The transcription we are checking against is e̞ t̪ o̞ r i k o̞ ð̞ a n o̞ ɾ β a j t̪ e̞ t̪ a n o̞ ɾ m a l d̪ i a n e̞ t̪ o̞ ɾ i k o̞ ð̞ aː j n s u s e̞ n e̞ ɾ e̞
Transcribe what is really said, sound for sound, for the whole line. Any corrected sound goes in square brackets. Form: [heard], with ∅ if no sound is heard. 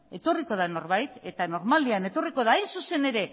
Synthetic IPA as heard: e̞ t̪ o̞ r i k o̞ ð̞ a n o̞ ɾ β a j t̪ e̞ t̪ a n o̞ ɾ m a l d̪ i a n e̞ t̪ o̞ [r] i k o̞ ð̞ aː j n s u s e̞ n e̞ ɾ e̞

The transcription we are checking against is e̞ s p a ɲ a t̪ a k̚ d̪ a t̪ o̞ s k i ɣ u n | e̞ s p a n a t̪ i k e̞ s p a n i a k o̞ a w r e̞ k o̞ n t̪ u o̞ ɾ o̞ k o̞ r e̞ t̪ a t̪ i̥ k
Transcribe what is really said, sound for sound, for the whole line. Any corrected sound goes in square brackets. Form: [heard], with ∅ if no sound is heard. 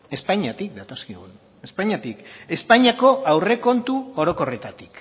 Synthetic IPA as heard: e̞ s p a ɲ a t̪ [i] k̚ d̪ a t̪ o̞ s k i ɣ u n | e̞ s p a [ɲ] a t̪ i k e̞ s p a [ɲ] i a k o̞ a w r e̞ k o̞ n t̪ u o̞ ɾ o̞ k o̞ r e̞ t̪ a t̪ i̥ k

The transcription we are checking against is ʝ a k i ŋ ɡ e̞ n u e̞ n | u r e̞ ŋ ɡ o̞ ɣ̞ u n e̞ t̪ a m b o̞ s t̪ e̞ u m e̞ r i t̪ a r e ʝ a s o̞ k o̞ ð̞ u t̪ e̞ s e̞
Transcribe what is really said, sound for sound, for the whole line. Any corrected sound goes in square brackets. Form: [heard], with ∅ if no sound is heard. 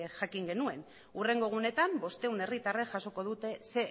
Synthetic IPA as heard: ʝ a k i ŋ ɡ e̞ n u e̞ n | u r e̞ ŋ ɡ o̞ ɣ̞ u n e̞ t̪ a m b o̞ s t̪ e̞ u [n] e̞ r i t̪ a r e ʝ a s o̞ k o̞ ð̞ u t̪ e̞ s e̞

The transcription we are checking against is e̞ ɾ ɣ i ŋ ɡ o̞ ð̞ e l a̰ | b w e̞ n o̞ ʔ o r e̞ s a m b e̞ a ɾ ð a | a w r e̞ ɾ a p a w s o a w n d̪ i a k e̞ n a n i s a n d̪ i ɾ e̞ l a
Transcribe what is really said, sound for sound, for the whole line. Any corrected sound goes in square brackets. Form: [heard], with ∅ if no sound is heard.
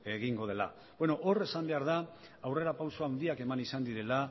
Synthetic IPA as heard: e̞ [∅] ɣ i ŋ ɡ o̞ ð̞ e l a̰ | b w e̞ n o̞ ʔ o r e̞ s a m b e̞ a ɾ ð a | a w r e̞ ɾ a p a w s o a w n d̪ i a k e̞ [m] a n i s a n d̪ i ɾ e̞ l a

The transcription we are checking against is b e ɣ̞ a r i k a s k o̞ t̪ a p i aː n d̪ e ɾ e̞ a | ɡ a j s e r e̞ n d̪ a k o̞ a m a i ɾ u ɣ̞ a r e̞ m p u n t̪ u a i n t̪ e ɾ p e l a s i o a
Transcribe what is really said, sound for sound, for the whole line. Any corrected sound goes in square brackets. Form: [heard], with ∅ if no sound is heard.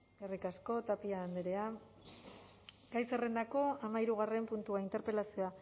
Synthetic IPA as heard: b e [∅] a r i k a s k o̞ t̪ a p i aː n d̪ e ɾ e̞ a | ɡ a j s e r e̞ n d̪ a k o̞ a m a i ɾ u ɣ̞ a r e̞ m p u n t̪ u a i n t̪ e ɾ p e l a s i o a

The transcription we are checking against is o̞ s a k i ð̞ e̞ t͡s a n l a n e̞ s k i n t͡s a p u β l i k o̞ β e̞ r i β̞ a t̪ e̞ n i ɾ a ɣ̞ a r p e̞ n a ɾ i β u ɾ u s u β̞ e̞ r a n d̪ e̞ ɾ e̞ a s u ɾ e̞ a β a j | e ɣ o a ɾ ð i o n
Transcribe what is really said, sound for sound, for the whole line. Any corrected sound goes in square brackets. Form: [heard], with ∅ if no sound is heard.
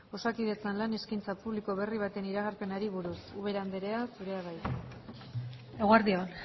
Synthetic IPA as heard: o̞ s a k i ð̞ e̞ t͡s a n l a n e̞ s k i n t͡s a p u β l i k o̞ β e̞ r i β̞ a t̪ e̞ n i ɾ a ɣ̞ a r p e̞ n a ɾ i β u ɾ u s u β̞ e̞ [ɾ] a n d̪ e̞ ɾ e̞ a s u ɾ e̞ a β a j | e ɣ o a ɾ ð i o n

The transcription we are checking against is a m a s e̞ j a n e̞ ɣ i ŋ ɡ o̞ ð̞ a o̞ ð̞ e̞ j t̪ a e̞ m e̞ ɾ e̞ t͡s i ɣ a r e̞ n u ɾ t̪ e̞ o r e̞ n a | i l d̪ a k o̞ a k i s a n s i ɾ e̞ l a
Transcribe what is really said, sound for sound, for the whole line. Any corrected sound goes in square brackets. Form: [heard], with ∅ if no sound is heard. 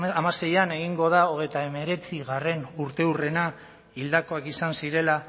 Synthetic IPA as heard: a m a s e̞ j a n e̞ ɣ i ŋ ɡ o̞ ð̞ a o̞ [ɣ̞] e̞ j t̪ a e̞ m e̞ ɾ e̞ t͡s i ɣ a r e̞ n u ɾ t̪ e̞ [u] r e̞ n a | i l d̪ a k o̞ a k i s a n s i ɾ e̞ l a

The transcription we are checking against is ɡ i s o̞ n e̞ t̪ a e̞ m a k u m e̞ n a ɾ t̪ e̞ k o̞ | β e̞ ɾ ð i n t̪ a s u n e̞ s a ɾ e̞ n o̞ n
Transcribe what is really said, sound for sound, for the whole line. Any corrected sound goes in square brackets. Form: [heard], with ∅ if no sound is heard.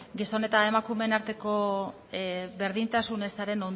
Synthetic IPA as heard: ɡ i s o̞ n e̞ t̪ a e̞ m a k u m e̞ n a ɾ t̪ e̞ k o̞ | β e̞ ɾ ð i n t̪ a s u n e̞ s a ɾ e̞ n o̞ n

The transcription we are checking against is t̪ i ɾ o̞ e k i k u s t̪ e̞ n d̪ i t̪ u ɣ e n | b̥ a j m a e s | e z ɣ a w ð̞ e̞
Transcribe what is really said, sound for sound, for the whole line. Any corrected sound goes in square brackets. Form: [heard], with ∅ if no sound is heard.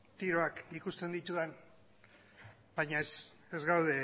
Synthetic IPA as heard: t̪ i ɾ o̞ [a] k i k u s t̪ e̞ n d̪ i t̪ u [ð] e n | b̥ a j [ɲ] a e s | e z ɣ a w ð̞ e̞

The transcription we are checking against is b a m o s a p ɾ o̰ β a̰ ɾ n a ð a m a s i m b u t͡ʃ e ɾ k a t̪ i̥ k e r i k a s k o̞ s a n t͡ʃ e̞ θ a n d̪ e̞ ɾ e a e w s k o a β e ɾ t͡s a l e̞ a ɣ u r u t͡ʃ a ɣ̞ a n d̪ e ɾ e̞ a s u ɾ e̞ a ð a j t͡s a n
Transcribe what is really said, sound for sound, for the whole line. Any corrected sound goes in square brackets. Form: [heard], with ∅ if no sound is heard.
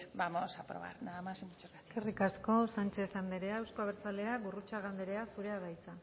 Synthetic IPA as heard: b a m o s a p ɾ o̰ β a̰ ɾ n a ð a m a s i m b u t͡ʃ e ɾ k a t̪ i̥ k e r i k a s k o̞ s a n t͡ʃ e̞ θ a n d̪ e̞ ɾ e a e w s k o a β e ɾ t͡s a l e̞ a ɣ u r u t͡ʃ a ɣ̞ a n d̪ e ɾ e̞ a s u ɾ e̞ a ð a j t͡s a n

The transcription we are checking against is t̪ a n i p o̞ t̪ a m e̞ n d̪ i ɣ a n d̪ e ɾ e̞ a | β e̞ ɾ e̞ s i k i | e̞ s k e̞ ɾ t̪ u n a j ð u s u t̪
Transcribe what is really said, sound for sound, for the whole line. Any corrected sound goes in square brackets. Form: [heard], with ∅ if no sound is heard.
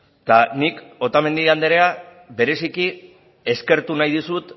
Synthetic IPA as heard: t̪ a n i [k] o̞ t̪ a m e̞ n d̪ i ɣ a n d̪ e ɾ e̞ a | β e̞ ɾ e̞ s i k i | e̞ s k e̞ ɾ t̪ u n a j ð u s u t̪

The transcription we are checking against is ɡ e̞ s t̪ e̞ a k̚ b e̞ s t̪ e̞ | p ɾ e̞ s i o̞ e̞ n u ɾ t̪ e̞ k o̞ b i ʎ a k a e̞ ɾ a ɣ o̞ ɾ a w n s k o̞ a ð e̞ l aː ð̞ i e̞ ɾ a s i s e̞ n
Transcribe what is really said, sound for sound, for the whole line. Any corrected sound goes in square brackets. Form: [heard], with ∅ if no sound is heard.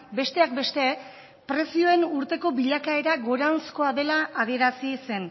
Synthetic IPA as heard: [b] e̞ s t̪ e̞ a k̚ b e̞ s t̪ e̞ | p ɾ e̞ s i o̞ e̞ n u ɾ t̪ e̞ k o̞ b i ʎ a k a e̞ ɾ a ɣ o̞ ɾ a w n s k o̞ a ð e̞ l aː ð̞ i e̞ ɾ a s i s e̞ n

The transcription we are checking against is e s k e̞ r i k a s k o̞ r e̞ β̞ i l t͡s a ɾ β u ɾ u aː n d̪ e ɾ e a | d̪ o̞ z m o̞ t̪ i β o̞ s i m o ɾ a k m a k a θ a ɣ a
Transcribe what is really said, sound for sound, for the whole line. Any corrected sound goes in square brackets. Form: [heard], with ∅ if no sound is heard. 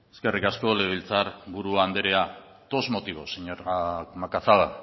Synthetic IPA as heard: e s k e̞ r i k a s k o̞ [l] e̞ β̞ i l t͡s a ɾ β u ɾ u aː n d̪ e ɾ e a | [t̪] o̞ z m o̞ t̪ i β o̞ s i [ɲ] o ɾ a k m a k a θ a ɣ a

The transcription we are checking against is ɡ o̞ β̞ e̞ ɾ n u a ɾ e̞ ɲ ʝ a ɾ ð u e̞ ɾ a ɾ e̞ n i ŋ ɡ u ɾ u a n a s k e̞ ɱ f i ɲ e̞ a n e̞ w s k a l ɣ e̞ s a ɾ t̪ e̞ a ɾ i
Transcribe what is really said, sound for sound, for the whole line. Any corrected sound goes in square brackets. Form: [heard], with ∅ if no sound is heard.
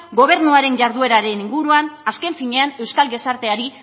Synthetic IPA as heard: ɡ o̞ β̞ e̞ ɾ n u a ɾ e̞ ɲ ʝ a ɾ ð u e̞ ɾ a ɾ e̞ n i ŋ ɡ u ɾ u a n a s k e̞ ɱ f i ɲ e̞ a n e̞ w s k a l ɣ e̞ s a ɾ t̪ e̞ a ɾ i

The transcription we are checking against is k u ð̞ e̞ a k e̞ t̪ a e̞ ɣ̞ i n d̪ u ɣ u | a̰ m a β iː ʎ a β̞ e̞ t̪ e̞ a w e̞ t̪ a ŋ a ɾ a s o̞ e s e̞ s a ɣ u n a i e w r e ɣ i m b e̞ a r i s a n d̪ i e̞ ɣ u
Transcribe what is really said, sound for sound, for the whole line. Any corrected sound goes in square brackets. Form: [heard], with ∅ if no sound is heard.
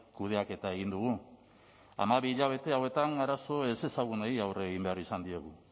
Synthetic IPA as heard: k u ð̞ e̞ a k e̞ t̪ a e̞ ɣ̞ i n d̪ u ɣ u | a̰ m a β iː ʎ a β̞ e̞ t̪ e̞ a w e̞ t̪ a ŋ a ɾ a s o̞ e s e̞ s a ɣ u n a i [a] w r e ɣ i m b e̞ a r i s a n d̪ i e̞ ɣ u

